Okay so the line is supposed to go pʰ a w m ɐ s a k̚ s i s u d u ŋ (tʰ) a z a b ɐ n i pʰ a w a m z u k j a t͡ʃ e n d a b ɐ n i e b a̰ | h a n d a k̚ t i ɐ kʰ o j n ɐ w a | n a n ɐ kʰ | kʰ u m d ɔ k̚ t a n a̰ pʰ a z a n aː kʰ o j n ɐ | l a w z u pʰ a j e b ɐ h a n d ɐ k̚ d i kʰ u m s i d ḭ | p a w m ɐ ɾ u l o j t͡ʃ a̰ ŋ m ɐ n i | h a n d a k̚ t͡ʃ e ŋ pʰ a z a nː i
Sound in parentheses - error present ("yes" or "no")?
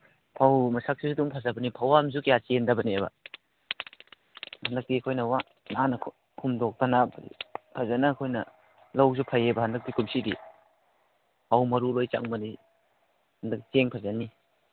yes